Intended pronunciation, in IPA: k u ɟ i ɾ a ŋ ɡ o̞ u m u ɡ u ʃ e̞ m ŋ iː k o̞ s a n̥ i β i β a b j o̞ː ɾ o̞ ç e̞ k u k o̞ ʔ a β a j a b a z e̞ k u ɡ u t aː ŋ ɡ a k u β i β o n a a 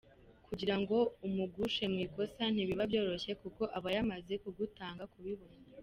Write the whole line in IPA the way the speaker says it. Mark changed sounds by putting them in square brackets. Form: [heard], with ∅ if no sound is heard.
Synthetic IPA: k u ɟ i ɾ a ŋ ɡ o̞ u m u ɡ u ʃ e̞ m ŋ iː k o̞ s a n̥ i β i β a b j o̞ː ɾ o̞ ç e̞ k u k o̞ ʔ a β a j a [m] a z e̞ k u ɡ u t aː ŋ ɡ a k u β i β o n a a